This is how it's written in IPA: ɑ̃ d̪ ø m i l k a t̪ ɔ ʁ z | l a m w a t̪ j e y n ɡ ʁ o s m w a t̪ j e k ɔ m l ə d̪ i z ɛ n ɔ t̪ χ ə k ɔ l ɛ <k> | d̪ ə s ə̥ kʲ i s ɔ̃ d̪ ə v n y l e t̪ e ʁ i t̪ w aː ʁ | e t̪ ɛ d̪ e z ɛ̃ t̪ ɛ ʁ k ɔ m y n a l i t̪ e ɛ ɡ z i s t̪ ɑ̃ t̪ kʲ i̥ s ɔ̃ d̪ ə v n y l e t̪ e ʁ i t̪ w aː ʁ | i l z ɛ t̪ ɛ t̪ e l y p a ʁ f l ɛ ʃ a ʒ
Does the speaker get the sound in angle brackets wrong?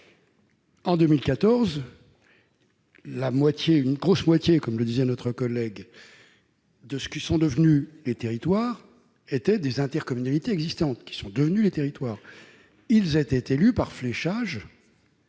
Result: yes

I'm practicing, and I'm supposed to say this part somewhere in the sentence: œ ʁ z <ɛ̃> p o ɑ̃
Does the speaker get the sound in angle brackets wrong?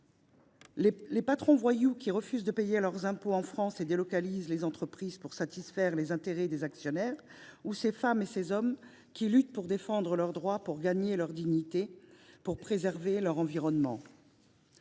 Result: no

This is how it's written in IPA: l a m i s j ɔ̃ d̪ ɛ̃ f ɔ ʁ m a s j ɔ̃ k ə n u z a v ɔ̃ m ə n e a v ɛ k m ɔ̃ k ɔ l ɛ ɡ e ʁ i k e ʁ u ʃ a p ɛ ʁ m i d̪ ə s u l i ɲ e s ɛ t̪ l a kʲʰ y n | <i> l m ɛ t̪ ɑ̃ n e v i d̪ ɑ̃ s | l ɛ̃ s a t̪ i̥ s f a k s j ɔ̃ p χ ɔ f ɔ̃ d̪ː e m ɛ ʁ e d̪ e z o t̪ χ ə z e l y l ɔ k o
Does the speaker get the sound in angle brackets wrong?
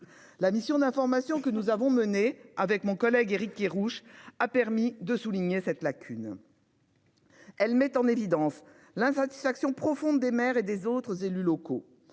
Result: yes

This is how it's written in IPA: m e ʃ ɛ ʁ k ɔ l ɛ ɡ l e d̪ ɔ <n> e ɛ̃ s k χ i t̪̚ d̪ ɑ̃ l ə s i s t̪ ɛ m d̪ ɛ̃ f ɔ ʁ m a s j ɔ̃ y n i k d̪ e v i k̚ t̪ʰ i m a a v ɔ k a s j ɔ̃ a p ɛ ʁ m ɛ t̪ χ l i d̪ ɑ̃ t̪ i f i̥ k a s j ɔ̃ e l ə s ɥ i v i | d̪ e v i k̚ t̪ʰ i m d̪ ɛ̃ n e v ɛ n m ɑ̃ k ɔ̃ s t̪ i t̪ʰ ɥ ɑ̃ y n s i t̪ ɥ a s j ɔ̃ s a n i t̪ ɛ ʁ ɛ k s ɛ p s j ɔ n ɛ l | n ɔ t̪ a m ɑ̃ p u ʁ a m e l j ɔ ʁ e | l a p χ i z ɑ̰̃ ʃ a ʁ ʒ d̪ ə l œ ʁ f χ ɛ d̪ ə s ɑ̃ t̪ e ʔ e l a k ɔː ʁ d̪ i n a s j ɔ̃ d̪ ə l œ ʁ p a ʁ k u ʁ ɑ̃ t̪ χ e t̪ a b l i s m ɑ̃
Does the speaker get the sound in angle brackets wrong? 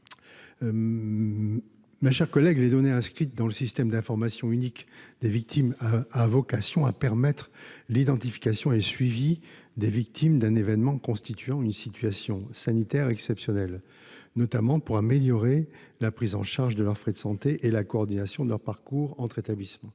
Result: no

